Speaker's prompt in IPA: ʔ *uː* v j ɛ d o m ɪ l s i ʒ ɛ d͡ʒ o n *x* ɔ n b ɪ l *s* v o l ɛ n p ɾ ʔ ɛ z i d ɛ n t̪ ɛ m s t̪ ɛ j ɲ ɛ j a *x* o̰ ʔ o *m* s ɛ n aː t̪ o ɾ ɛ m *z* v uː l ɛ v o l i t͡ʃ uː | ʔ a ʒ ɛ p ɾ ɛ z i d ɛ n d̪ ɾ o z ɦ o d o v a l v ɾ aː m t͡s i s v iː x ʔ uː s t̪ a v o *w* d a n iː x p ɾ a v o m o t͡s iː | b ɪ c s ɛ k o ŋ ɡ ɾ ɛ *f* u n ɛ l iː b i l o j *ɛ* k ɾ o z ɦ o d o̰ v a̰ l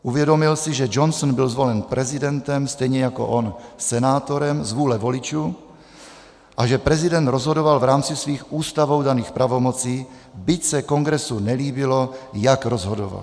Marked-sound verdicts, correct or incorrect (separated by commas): incorrect, incorrect, incorrect, incorrect, incorrect, correct, correct, incorrect, incorrect